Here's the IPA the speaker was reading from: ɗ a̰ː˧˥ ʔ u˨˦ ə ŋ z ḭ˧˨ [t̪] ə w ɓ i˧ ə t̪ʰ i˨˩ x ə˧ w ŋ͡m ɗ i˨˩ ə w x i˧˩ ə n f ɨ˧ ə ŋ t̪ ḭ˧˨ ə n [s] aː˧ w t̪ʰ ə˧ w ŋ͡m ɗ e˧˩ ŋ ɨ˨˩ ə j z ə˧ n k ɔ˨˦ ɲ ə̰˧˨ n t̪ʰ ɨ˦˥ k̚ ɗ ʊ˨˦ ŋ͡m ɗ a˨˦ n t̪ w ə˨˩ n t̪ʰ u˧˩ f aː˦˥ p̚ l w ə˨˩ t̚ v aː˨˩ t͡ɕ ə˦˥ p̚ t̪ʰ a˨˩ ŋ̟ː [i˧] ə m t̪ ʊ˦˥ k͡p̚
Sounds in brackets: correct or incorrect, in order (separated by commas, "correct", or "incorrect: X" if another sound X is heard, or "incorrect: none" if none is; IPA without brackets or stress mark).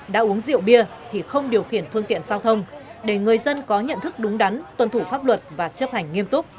incorrect: none, incorrect: z, correct